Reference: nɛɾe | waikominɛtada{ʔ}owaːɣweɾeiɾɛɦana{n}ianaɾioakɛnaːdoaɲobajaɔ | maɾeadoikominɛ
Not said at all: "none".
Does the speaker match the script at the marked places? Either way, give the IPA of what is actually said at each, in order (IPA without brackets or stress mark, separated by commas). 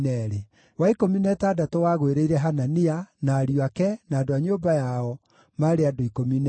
t, n